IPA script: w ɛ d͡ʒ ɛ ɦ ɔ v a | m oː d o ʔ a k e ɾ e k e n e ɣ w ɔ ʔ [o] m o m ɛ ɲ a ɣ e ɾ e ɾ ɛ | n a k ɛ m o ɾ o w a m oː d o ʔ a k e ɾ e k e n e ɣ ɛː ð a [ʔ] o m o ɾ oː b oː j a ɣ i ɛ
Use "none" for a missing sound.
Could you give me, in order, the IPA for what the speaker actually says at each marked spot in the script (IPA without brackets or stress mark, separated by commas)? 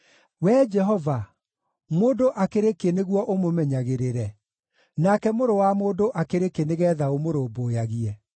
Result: o, none